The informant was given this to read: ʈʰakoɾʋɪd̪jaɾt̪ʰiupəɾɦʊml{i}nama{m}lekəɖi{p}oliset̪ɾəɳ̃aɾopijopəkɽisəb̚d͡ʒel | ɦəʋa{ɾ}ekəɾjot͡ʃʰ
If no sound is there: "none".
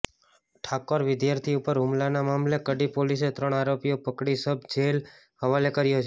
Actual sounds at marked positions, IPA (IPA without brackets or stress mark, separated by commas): a, m, p, l